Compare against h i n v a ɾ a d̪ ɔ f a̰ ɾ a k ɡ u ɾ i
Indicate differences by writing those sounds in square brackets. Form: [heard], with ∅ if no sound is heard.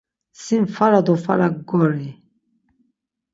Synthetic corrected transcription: [s] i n [f] a ɾ a d̪ ɔ f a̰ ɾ a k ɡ [ɔ] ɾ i

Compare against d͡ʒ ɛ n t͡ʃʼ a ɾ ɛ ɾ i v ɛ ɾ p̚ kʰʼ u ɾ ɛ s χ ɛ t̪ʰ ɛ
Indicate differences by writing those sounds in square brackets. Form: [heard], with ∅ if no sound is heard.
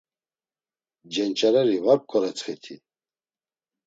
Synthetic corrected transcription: d͡ʒ ɛ n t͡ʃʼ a ɾ ɛ ɾ i v [a] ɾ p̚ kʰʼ [ɔ] ɾ ɛ [t͡s] χ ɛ t̪ʰ [i]

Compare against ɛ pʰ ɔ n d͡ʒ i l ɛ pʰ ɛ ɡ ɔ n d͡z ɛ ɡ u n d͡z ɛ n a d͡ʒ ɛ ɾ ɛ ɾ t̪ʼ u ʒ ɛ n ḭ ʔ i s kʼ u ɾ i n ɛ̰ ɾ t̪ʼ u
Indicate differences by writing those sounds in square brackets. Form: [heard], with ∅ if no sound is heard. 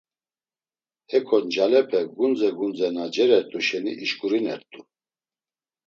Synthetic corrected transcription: ɛ [kʰ] ɔ n d͡ʒ [a] l ɛ pʰ ɛ ɡ [u] n d͡z ɛ ɡ u n d͡z ɛ n a d͡ʒ ɛ ɾ ɛ ɾ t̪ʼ u [ʃ] ɛ n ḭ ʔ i [ʃ] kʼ u ɾ i n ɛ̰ ɾ t̪ʼ u

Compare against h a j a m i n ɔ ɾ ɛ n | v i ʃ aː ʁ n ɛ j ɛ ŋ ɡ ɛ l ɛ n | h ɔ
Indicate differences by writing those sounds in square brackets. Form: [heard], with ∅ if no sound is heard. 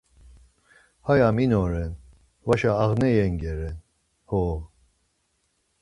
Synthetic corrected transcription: h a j a m i n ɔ ɾ ɛ n | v [a] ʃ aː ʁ n ɛ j ɛ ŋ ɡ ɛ [ɾ] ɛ n | h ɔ

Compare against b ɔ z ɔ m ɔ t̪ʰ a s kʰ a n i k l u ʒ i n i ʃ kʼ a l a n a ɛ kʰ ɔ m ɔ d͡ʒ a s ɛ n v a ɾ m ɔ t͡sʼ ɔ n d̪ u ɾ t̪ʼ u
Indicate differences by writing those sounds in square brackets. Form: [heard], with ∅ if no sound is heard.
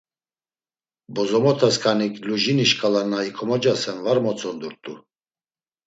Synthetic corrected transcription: b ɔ z ɔ m ɔ t̪ʰ a s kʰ a n i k l u ʒ i n i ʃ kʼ a l a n a [i] kʰ ɔ m ɔ d͡ʒ a s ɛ n v a ɾ m ɔ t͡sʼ ɔ n d̪ u ɾ t̪ʼ u

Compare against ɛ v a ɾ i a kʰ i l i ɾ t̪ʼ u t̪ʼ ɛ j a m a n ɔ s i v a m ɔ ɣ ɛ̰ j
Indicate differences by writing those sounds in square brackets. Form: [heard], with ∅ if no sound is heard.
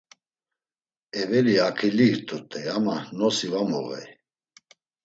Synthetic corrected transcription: ɛ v [ɛ] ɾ i a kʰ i l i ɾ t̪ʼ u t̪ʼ ɛ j a m a n ɔ s i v a m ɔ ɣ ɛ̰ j

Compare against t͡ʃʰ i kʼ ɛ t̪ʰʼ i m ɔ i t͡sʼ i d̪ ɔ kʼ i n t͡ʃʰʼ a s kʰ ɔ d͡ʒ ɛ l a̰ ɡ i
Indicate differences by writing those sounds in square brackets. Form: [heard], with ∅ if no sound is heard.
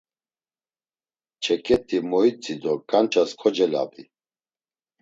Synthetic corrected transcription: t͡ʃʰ [ɛ] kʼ ɛ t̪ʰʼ i m ɔ i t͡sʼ i d̪ ɔ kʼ [a] n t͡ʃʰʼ a s kʰ ɔ d͡ʒ ɛ l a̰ [b] i

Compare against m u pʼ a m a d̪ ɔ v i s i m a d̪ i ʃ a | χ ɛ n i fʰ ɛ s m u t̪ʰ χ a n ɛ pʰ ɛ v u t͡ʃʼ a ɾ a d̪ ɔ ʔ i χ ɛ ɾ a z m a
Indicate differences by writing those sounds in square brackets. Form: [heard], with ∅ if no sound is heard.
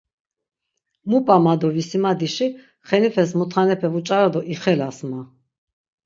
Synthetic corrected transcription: m u pʼ a m a d̪ ɔ v i s i m a d̪ i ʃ [i] | χ ɛ n i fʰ ɛ s m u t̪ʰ χ a n ɛ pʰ ɛ v u t͡ʃʼ a ɾ a d̪ ɔ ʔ i χ ɛ [l] a [s] m a

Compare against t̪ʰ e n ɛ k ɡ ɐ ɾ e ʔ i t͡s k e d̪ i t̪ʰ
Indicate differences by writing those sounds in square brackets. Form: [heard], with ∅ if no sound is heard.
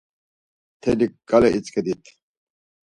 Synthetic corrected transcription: t̪ʰ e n [i] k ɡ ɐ [l] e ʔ i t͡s k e d̪ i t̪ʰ

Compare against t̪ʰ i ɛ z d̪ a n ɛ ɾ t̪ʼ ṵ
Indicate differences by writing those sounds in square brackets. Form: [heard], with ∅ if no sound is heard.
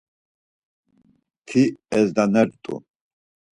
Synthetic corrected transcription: t̪ʰ i ɛ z d̪ a n ɛ ɾ t̪ʼ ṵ

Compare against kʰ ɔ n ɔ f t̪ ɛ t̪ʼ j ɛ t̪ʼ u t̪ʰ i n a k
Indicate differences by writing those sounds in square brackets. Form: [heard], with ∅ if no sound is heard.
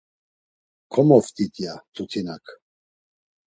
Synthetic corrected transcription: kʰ ɔ [m] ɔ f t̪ [i] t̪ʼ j [a] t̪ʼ u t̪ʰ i n a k

